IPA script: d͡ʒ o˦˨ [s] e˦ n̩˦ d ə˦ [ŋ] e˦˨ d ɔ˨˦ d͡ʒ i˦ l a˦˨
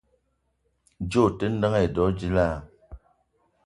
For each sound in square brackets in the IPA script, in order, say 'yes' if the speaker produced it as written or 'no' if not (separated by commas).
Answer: no, yes